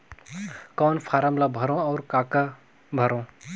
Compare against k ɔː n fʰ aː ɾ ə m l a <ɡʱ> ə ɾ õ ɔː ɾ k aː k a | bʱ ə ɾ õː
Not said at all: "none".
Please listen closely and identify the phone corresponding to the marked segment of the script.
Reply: bʱ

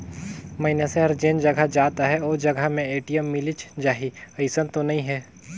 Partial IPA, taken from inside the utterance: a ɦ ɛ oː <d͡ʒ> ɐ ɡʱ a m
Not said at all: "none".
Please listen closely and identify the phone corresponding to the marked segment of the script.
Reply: d͡ʒ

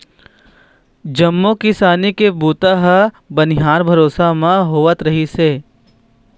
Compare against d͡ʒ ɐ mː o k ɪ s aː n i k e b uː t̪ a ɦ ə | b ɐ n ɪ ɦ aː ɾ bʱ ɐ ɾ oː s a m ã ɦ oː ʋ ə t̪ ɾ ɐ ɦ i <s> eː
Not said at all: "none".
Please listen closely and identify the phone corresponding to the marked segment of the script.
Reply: s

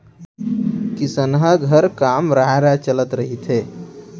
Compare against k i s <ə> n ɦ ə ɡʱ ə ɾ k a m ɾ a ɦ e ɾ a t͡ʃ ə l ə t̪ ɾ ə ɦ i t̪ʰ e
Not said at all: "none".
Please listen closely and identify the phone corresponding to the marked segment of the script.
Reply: ə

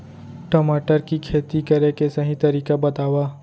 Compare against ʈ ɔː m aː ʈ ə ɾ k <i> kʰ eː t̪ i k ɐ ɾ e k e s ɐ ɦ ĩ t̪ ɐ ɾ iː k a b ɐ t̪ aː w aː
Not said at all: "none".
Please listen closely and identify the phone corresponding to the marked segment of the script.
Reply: i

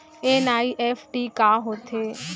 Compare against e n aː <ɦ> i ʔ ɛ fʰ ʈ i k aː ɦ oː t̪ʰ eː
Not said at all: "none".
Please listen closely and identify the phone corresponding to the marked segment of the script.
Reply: none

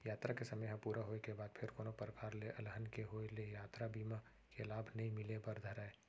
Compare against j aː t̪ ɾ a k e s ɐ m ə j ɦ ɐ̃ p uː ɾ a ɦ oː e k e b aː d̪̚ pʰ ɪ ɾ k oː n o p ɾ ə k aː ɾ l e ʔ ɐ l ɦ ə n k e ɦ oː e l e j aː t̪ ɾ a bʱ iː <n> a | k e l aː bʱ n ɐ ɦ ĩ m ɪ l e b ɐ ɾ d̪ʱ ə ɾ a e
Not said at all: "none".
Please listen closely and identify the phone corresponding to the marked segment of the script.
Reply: m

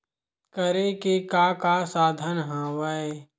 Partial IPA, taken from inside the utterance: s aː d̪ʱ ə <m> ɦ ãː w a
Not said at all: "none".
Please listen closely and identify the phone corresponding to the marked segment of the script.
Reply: n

